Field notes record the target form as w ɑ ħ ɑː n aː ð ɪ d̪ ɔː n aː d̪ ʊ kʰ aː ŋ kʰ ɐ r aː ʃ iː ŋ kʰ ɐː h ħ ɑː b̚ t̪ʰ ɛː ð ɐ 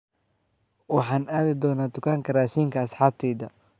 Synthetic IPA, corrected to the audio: w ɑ ħ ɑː n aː ð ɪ d̪ ɔː n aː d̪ ʊ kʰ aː ŋ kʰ ɐ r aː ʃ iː ŋ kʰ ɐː s ħ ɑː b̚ t̪ʰ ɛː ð ɐ